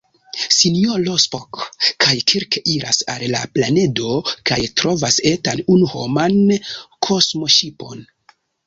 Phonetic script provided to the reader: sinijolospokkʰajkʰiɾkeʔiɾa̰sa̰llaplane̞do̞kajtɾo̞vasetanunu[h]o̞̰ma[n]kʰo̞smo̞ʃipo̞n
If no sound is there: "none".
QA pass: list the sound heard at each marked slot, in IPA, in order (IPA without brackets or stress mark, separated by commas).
h, n